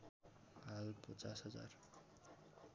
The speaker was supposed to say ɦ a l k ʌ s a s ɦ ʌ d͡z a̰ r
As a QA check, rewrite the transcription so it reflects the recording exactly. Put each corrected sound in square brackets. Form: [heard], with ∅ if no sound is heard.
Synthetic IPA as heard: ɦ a l [p] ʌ [t͡s] a s ɦ ʌ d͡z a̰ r